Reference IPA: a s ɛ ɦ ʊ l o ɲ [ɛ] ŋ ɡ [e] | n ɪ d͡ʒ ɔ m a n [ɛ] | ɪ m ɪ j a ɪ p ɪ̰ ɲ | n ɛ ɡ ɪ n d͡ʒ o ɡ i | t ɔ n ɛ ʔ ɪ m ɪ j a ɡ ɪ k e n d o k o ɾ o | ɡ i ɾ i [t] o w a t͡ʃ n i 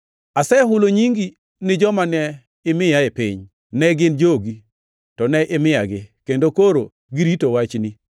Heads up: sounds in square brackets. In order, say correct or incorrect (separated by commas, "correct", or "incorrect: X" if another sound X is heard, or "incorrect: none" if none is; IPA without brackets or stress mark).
incorrect: i, incorrect: i, correct, correct